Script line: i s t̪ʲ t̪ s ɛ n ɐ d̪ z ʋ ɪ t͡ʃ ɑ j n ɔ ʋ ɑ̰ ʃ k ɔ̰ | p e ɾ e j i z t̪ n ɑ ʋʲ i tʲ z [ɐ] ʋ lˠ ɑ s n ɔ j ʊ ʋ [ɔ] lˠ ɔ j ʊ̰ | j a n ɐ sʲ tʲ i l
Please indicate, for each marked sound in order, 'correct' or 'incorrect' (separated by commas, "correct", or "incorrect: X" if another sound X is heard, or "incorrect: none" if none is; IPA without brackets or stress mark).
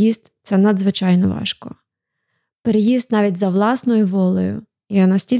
correct, correct